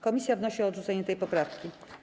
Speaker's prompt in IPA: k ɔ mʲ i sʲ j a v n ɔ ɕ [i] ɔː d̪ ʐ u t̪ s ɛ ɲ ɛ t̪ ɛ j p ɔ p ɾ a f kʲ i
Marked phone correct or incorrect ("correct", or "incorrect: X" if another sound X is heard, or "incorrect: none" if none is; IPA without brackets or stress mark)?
correct